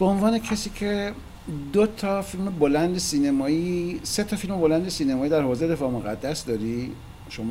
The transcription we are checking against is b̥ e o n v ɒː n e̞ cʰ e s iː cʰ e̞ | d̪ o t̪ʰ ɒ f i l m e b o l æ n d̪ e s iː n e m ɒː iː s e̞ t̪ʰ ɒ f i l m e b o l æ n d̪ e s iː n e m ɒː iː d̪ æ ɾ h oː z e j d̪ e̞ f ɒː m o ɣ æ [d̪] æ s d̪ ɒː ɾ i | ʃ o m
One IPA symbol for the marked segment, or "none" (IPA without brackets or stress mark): d̪ː